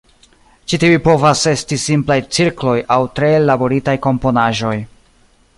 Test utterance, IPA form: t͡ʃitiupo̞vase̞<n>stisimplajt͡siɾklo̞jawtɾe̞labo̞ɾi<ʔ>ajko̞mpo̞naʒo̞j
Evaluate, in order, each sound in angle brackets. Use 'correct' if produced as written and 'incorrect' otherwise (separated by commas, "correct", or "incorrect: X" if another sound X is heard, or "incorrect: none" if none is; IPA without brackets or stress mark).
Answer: incorrect: none, incorrect: t